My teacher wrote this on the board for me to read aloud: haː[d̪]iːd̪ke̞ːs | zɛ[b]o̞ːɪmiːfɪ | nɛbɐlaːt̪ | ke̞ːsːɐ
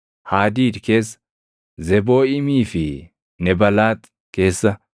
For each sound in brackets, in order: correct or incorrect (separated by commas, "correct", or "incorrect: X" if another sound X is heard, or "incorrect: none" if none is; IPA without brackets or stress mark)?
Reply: correct, correct